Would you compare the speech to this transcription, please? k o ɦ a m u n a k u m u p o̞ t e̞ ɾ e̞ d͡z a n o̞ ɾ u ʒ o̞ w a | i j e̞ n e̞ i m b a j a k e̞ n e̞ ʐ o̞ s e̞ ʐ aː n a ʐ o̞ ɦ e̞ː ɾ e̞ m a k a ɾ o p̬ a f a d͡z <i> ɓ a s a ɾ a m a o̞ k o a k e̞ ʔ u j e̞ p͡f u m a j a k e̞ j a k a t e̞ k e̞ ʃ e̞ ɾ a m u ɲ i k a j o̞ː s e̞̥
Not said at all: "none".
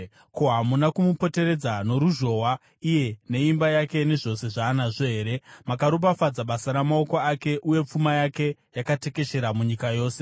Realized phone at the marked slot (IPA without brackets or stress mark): a